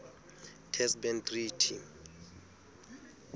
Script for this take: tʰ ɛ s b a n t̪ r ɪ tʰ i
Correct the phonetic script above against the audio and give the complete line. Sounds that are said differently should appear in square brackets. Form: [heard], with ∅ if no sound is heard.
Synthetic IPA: tʰ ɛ s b [ɛ] n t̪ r [i] tʰ i